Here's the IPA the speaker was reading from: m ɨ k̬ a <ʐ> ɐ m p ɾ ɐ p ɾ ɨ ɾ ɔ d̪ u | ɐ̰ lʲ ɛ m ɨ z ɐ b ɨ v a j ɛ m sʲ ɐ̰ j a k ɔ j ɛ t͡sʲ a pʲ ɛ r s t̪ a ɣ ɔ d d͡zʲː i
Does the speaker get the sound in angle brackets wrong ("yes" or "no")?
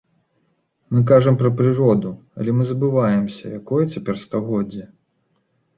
no